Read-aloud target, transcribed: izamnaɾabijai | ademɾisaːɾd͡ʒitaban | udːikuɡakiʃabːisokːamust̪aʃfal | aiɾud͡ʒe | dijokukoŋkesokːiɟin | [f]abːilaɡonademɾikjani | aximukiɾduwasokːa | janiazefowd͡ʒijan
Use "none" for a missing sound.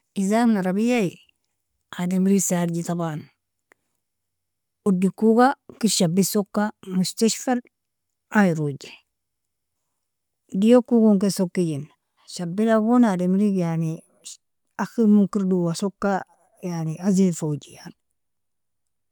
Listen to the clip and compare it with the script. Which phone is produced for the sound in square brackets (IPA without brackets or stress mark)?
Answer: ʃ